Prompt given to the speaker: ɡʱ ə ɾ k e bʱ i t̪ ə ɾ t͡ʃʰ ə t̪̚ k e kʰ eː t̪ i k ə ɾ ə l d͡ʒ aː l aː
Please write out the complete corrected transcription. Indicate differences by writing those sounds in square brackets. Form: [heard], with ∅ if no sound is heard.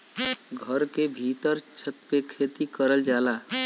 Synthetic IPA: ɡʱ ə ɾ k e bʱ i t̪ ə ɾ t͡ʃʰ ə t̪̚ [p] e kʰ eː t̪ i k ə ɾ ə l d͡ʒ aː l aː